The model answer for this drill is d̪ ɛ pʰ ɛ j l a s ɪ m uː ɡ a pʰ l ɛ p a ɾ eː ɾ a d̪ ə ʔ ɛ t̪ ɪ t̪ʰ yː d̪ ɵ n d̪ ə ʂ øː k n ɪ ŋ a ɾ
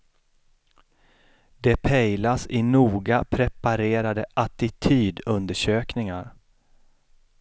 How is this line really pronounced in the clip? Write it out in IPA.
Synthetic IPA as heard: d̪ ɛ pʰ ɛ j l a s ɪ n uː ɡ a pʰ ɾ ɛ p a ɾ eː ɾ a d̪ ə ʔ a t̪ ɪ t̪ʰ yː d̪ ɵ n d̪ ə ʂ øː k n ɪ ŋ a ɾ